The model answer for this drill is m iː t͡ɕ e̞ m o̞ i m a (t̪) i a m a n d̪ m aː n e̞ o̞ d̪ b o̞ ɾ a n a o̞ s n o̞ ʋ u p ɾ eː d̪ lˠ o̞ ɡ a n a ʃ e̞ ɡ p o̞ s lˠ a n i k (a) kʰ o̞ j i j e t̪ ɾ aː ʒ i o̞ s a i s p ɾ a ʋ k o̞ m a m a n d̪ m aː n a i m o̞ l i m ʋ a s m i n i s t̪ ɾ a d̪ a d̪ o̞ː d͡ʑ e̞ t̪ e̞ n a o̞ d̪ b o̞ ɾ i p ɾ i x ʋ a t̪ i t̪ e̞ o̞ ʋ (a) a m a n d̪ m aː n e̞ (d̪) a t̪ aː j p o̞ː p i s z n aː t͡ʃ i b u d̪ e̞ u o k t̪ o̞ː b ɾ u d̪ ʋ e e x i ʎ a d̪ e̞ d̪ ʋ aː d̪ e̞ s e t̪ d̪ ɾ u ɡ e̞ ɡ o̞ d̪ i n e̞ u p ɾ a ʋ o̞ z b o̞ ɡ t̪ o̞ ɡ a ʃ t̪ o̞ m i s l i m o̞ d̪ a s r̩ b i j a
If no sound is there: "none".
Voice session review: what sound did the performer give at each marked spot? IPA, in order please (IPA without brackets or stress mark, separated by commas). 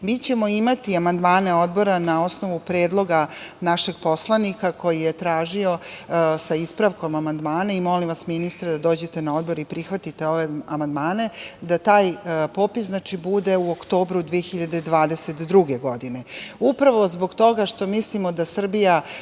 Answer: t̪, a, e, d̪